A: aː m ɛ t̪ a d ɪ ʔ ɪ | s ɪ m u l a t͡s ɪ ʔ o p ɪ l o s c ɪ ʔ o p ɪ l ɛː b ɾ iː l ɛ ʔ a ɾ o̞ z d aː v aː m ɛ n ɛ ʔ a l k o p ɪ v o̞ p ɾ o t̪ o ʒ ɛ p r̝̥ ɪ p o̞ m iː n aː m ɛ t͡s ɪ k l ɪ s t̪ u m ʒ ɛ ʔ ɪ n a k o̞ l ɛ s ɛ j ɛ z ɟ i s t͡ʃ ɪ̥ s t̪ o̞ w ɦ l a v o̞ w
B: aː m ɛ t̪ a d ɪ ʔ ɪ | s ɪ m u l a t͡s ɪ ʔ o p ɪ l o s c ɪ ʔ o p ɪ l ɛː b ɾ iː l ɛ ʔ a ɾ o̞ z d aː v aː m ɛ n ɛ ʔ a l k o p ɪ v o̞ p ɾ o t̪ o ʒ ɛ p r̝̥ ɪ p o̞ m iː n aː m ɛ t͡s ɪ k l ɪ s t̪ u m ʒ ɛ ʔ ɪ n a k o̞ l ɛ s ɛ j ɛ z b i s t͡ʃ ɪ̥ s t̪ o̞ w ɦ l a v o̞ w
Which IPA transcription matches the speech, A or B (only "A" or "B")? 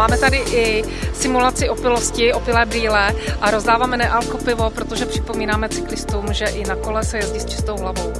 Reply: A